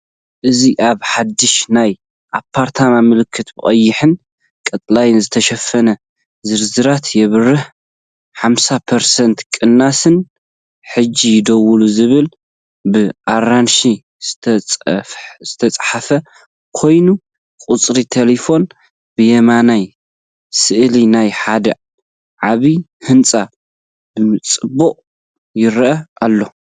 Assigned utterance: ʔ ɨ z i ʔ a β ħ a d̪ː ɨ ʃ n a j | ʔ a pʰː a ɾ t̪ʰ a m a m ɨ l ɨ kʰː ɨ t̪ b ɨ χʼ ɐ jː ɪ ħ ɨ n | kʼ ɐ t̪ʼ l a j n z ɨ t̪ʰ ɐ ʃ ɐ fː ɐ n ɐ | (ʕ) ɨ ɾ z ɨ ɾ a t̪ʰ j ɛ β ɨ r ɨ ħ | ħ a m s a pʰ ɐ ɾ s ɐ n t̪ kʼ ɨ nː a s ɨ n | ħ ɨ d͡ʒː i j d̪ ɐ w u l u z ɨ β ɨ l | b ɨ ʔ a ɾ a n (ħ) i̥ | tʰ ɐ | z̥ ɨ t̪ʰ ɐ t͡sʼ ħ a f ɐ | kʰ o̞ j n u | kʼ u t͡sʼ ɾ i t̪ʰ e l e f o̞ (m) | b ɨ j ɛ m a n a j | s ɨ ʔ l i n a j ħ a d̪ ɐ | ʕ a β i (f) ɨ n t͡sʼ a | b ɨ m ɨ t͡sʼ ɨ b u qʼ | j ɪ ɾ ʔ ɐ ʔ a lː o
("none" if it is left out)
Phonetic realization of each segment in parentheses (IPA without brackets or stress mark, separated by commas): z, ʃ, n, h